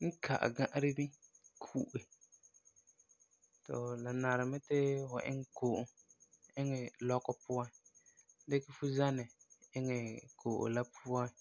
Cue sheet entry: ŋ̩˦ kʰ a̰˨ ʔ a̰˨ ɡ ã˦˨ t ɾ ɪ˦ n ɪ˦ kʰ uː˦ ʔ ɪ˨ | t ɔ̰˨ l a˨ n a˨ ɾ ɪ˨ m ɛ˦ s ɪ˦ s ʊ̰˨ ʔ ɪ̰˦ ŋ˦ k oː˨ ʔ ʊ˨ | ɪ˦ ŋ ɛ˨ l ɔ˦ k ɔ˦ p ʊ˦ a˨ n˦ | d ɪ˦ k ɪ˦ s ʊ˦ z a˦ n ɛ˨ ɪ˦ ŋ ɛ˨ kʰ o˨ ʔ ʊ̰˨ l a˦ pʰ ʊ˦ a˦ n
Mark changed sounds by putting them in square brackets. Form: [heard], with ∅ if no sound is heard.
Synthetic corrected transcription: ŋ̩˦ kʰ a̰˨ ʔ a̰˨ ɡ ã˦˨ [ʔ] ɾ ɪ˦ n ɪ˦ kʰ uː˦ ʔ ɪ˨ | t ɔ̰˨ l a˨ n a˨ ɾ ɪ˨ m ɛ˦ [t] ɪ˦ [f] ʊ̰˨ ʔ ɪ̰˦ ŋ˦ k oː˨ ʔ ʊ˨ | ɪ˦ ŋ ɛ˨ l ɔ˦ k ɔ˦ p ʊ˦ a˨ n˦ | d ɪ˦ k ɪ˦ [f] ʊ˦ z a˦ n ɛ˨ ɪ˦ ŋ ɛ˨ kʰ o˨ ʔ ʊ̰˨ l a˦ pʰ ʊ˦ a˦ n